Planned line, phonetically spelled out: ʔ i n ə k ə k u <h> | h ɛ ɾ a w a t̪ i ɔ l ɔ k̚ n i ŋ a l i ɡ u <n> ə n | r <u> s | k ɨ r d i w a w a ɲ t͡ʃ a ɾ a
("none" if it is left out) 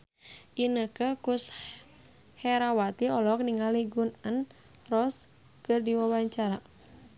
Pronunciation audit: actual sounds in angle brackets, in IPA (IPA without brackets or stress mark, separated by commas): s, n, ɔ